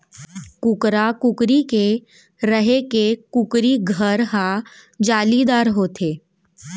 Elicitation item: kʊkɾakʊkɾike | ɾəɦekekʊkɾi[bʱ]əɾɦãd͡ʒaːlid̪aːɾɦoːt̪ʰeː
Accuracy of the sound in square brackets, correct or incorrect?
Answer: incorrect